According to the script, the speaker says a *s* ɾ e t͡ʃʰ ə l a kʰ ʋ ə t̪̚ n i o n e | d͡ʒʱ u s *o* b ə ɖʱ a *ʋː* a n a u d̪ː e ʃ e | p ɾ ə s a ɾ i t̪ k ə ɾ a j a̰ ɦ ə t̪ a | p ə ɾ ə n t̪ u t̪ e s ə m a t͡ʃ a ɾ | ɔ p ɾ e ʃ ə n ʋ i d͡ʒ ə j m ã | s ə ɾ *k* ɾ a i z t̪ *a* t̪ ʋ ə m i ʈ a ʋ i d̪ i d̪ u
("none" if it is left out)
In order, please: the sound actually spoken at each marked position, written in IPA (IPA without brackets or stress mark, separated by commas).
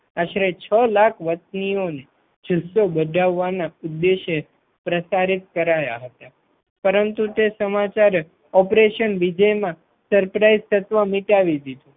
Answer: ʃ, o, ʋː, p, ə